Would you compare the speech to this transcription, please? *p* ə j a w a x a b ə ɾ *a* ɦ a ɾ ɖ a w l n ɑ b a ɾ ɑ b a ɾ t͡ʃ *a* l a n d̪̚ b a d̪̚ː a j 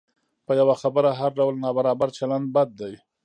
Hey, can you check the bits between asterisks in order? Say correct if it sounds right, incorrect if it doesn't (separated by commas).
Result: correct, correct, correct